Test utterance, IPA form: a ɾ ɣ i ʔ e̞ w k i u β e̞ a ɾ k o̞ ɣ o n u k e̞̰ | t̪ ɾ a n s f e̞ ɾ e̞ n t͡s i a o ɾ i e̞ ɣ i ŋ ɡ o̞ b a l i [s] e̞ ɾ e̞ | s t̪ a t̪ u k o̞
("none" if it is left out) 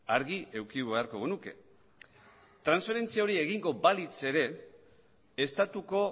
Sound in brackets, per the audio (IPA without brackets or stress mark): t͡s